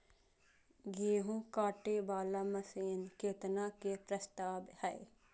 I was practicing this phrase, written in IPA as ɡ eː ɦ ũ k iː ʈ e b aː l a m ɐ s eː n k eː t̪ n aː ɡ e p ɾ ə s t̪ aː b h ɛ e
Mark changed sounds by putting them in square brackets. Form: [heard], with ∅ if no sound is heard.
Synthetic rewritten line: ɡ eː ɦ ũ k [aː] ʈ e b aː l a m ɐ s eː n k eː t̪ n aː [k] e p ɾ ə s t̪ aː b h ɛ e